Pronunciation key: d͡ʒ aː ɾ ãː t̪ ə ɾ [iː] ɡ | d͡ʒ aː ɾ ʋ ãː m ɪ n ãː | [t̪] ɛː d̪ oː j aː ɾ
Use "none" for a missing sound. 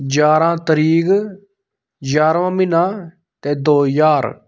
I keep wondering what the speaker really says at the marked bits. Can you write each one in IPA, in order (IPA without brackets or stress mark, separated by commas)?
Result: iː, t̪